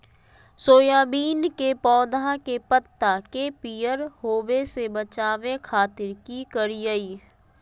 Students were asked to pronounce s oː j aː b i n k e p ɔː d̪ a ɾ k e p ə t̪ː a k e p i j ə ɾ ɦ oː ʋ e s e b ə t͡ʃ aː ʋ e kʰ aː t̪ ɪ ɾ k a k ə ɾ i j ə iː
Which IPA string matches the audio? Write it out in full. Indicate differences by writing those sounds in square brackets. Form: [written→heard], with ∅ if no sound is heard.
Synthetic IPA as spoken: s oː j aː b [i→iː] n k e p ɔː d̪ a [ɾ→∅] k e p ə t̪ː a k e p i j ə ɾ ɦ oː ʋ e s e b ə t͡ʃ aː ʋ e kʰ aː t̪ ɪ ɾ k [a→i] k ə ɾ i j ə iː